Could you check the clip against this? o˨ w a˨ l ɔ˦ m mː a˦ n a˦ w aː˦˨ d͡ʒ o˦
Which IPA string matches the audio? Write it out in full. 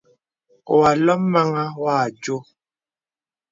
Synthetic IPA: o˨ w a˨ l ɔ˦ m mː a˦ ŋ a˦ w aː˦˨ d͡ʒ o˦